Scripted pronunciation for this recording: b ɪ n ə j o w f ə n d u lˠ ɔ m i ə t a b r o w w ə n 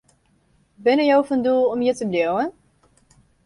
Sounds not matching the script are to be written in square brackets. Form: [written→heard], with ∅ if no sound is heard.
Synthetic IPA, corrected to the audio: b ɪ n ə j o w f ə n d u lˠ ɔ m [i→j] ə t [a→ə] b [r→l] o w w ə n